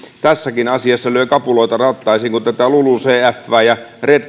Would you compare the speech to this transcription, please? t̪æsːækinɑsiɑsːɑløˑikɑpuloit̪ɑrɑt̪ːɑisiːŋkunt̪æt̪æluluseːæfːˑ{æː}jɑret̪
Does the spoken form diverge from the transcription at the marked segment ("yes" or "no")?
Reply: no